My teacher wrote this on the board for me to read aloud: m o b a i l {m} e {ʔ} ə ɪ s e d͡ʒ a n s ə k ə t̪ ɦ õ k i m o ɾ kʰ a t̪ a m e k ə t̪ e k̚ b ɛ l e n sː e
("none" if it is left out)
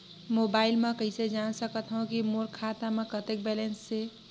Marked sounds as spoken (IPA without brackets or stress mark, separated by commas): m, k